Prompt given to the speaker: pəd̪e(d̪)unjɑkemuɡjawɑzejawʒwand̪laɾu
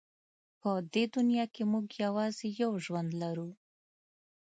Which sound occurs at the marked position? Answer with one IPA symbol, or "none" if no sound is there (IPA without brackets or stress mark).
d̪